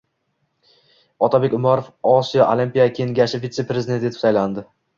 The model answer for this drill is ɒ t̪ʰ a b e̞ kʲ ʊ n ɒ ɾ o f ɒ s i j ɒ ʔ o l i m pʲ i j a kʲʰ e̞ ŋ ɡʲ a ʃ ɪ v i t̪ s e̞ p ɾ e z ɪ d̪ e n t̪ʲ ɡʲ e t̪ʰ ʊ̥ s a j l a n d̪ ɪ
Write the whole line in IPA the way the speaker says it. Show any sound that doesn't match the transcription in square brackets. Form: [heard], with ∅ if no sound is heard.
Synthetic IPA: ɒ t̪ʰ a b e̞ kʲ ʊ [m] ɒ ɾ o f ɒ s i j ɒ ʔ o l i m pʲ i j a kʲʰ e̞ ŋ ɡʲ a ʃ ɪ v i t̪ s e̞ p ɾ e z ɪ d̪ e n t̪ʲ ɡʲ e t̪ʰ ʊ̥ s a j l a n d̪ ɪ